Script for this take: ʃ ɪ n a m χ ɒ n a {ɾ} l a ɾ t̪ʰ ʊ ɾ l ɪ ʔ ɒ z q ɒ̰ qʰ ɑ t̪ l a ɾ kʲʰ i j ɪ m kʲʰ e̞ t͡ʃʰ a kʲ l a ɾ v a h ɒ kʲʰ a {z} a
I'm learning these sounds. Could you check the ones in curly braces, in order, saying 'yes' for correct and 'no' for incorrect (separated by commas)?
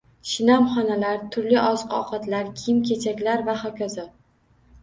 no, yes